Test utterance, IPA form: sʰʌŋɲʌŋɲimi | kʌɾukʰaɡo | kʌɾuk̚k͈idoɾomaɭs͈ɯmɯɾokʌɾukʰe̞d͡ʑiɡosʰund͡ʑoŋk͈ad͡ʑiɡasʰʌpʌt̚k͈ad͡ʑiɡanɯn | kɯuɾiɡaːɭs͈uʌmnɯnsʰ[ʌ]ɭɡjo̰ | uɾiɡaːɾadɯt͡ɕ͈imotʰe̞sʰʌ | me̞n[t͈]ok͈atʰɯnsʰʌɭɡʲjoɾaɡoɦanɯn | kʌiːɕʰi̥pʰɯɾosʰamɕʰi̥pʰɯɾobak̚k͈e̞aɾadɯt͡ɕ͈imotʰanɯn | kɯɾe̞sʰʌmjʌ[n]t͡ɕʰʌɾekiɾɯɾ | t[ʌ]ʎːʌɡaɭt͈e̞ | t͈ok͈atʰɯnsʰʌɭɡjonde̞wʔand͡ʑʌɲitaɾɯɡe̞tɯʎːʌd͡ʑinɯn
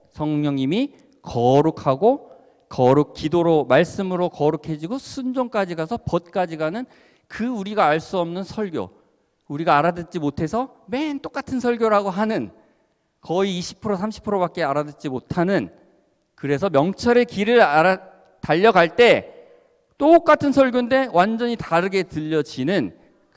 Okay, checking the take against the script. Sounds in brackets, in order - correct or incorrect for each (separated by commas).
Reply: correct, correct, incorrect, incorrect